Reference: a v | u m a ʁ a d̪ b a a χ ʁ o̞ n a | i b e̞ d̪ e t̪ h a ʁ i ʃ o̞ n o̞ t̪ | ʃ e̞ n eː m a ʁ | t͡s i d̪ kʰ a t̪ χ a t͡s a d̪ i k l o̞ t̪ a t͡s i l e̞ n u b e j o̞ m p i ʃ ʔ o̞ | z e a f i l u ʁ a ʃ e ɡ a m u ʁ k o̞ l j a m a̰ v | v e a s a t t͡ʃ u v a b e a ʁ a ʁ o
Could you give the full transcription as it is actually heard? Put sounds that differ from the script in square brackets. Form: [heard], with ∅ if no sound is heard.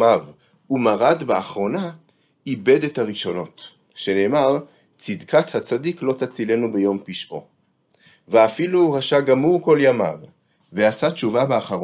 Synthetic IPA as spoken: a v | u m a ʁ a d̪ b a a χ ʁ o̞ n a | i b e̞ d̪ e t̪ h a ʁ i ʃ o̞ n o̞ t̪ | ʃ e̞ n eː m a ʁ | t͡s i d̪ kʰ a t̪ [h] a t͡s a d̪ i k l o̞ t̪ a t͡s i l e̞ n u b e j o̞ m p i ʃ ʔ o̞ | [v] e a f i l u ʁ a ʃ [a] ɡ a m u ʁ k o̞ l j a m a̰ v | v e a s a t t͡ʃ u v a b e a [χ] a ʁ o